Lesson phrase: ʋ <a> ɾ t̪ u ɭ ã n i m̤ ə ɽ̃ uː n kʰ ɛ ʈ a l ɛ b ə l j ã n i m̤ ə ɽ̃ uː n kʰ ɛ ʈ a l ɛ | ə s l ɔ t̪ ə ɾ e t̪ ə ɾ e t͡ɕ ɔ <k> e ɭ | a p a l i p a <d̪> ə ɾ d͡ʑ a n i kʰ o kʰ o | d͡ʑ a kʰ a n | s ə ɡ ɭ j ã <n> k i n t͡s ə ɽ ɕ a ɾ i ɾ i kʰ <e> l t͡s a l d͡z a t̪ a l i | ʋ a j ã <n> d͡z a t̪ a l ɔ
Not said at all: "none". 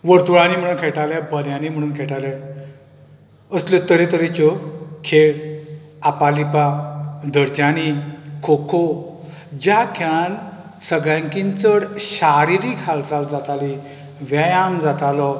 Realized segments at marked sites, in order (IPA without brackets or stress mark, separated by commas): ə, kʰ, d̪, ŋ, a, m